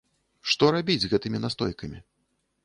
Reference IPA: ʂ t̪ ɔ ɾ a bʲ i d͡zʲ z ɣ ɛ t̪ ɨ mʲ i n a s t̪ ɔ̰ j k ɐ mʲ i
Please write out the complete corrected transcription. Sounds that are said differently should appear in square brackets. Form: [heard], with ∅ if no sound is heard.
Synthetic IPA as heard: ʂ t̪ ɔ ɾ a bʲ i d͡zʲ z ɣ ɛ t̪ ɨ mʲ i n a s t̪ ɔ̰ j k ɐ mʲ i